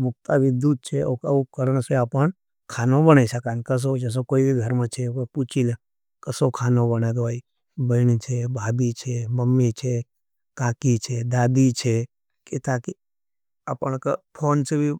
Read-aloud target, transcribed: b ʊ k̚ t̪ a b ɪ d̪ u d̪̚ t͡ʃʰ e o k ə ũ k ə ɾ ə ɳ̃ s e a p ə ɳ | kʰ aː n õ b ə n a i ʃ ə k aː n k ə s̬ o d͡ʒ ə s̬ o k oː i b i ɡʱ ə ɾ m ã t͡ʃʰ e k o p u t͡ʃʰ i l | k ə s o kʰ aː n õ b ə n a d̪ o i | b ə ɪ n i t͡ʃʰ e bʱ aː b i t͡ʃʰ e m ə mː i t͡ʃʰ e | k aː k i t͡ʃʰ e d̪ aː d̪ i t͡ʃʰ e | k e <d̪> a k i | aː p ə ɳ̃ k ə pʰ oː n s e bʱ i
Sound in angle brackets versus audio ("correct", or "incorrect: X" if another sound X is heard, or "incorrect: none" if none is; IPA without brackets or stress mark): incorrect: t̪